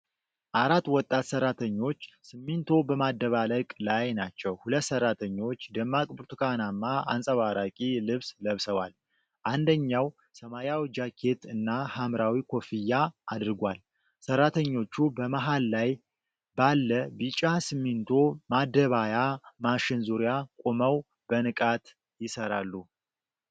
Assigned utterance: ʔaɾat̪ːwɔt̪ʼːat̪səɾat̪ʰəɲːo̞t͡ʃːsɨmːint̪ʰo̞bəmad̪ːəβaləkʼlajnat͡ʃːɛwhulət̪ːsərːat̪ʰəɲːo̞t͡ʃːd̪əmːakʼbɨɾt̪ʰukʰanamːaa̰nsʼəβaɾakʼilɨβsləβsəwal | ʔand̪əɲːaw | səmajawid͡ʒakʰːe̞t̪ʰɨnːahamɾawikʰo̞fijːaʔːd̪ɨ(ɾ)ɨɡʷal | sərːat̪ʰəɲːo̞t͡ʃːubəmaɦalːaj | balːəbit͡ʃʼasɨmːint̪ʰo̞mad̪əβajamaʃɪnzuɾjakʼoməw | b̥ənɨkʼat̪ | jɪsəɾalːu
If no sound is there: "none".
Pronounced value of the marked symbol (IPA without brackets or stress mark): ɾ